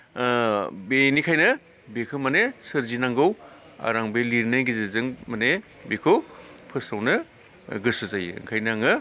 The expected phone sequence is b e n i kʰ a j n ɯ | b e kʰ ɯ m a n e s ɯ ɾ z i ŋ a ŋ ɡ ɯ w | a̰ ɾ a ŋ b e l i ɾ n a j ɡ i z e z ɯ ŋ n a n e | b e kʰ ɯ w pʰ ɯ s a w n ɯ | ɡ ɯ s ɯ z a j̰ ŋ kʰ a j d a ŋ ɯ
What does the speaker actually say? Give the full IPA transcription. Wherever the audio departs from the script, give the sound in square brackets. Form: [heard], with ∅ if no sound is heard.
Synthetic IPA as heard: b e n i kʰ a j n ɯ | b e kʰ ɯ m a n e s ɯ ɾ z i [n] a ŋ ɡ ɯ w | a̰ ɾ a ŋ b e l i ɾ n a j ɡ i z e z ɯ ŋ [m] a n e | b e kʰ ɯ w pʰ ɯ s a w n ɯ | ɡ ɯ s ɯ z a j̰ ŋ kʰ a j [n] a ŋ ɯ

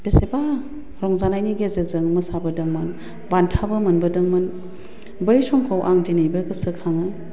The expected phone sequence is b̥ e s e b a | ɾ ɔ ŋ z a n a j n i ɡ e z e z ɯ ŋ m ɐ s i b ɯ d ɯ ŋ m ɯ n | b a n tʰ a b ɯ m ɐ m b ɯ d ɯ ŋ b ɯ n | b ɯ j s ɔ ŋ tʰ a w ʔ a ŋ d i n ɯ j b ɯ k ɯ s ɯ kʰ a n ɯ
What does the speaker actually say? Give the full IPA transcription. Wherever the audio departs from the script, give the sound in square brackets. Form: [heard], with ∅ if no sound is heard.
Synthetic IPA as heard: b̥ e s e b a | ɾ ɔ ŋ z a n a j n i ɡ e z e z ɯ ŋ m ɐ s [a] b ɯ d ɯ ŋ m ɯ n | b a n tʰ a b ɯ m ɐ [n] b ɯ d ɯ ŋ [m] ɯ n | b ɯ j s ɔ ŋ [kʰ] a w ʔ a ŋ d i n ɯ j b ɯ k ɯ s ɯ kʰ a [ŋ] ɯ

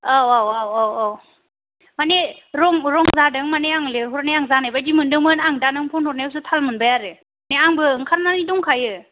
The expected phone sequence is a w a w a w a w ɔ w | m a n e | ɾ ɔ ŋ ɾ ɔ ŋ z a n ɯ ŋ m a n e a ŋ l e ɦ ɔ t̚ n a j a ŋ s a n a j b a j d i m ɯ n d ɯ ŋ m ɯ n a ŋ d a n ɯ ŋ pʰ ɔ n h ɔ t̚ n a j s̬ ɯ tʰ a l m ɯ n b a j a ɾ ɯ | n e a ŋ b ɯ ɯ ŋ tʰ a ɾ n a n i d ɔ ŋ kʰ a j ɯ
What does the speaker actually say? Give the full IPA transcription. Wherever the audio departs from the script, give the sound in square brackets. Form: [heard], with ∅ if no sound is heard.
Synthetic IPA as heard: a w a w a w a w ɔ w | m a n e | ɾ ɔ ŋ ɾ ɔ ŋ z a [d] ɯ ŋ m a n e a ŋ l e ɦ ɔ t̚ n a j a ŋ [z] a n a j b a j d i m ɯ n d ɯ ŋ m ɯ n a ŋ d a n ɯ ŋ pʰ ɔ n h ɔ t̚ n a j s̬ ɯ tʰ a l m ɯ n b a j a ɾ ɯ | n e a ŋ b ɯ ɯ ŋ [kʰ] a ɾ n a n i d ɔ ŋ kʰ a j ɯ

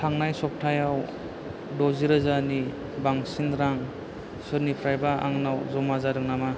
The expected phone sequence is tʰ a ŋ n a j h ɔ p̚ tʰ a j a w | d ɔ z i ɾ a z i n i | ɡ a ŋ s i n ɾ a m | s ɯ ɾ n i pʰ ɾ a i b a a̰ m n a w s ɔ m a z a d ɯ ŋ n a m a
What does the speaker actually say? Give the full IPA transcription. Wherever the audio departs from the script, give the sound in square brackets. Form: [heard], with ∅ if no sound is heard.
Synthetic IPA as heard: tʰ a ŋ n a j [s] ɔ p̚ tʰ a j a w | d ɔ z i ɾ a z [a] n i | [b] a ŋ s i n ɾ a [ŋ] | s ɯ ɾ n i pʰ ɾ a [j] b a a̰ [ŋ] n a w [z] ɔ m a z a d ɯ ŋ n a m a

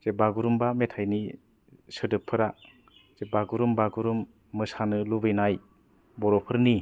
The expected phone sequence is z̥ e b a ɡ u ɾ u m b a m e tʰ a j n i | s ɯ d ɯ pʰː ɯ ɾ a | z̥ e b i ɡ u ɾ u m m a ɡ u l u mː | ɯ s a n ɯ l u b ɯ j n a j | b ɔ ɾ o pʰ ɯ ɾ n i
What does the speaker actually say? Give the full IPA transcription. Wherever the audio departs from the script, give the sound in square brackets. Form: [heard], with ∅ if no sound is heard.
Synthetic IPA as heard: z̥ e b a ɡ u ɾ u m b a m e tʰ a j n i | s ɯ d ɯ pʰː ɯ ɾ a | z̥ e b [a] ɡ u ɾ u m [b] a ɡ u [ɾ] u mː | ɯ s a n ɯ l u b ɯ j n a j | b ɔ ɾ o pʰ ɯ ɾ n i

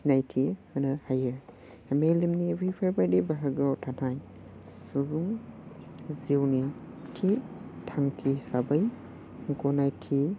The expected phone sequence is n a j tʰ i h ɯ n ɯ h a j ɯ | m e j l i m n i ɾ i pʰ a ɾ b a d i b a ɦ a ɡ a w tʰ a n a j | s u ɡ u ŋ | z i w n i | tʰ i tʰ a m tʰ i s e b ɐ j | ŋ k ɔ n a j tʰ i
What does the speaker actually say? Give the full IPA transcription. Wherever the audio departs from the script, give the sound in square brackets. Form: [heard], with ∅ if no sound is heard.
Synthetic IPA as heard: n a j tʰ i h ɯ n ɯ h a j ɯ | m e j l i m n i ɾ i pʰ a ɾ b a d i b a ɦ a ɡ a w tʰ a n a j | s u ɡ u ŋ | z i w n i | tʰ i tʰ a [ŋ] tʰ i s [a] b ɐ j | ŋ k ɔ n a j tʰ i

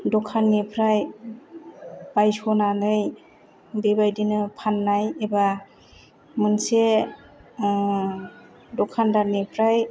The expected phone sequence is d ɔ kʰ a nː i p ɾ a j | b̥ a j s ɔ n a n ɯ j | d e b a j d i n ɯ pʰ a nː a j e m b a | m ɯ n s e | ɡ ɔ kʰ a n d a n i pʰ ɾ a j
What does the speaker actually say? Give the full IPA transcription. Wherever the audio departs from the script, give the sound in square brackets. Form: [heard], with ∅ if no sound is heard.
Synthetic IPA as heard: d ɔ kʰ a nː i [pʰ] ɾ a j | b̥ a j s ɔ n a n ɯ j | [b] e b a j d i n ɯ pʰ a nː a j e [∅] b a | m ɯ n s e | [d] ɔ kʰ a n d a n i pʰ ɾ a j

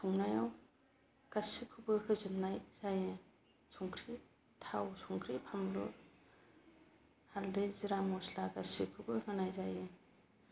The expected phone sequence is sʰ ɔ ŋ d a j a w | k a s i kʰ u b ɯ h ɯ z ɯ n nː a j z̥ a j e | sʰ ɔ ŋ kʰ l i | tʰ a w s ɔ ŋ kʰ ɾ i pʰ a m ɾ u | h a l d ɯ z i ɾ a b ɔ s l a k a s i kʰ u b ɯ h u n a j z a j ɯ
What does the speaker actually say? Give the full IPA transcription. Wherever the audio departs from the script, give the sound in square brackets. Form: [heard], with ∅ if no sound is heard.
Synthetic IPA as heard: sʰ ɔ ŋ [n] a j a w | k a s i kʰ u b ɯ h ɯ z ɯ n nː a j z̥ a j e | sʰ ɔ ŋ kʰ [ɾ] i | tʰ a w s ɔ ŋ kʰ ɾ i pʰ a m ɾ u | h a l d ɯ z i ɾ a [m] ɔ s l a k a s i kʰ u b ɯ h [ɯ] n a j z a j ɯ

